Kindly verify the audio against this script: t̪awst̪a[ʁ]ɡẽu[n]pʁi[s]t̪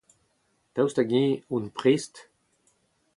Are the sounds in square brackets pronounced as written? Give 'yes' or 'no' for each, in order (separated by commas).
no, yes, yes